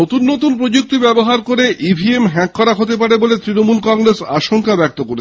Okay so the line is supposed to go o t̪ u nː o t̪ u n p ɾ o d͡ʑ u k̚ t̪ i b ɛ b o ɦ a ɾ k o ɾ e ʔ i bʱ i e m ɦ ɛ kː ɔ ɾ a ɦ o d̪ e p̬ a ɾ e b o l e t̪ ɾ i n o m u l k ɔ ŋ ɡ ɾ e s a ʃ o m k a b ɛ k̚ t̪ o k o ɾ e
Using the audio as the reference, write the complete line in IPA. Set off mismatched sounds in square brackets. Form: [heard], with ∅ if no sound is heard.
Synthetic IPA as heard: o t̪ u nː o t̪ u n p ɾ o d͡ʑ u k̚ t̪ i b ɛ b o ɦ a ɾ k o ɾ e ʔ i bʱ i e m ɦ ɛ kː ɔ ɾ a ɦ o [t̪] e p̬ a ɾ e b o l e t̪ ɾ i n o m u l k ɔ ŋ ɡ ɾ e s a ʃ o [ŋ] k a b ɛ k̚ t̪ o k o ɾ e